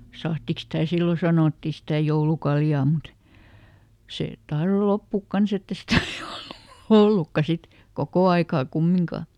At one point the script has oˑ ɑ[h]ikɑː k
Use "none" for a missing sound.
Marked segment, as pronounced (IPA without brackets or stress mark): none